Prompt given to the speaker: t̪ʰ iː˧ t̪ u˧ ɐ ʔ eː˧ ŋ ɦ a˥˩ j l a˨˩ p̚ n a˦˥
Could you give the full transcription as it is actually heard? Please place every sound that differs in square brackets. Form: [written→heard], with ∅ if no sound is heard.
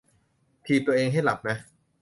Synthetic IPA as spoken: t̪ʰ iː˧ t̪ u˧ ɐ ʔ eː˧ ŋ ɦ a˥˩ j l a˨˩ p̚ n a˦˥